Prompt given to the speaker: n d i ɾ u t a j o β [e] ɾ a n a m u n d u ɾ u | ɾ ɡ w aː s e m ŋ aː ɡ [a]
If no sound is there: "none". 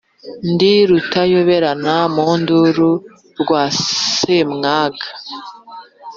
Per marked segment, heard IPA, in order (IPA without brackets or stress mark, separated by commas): e, a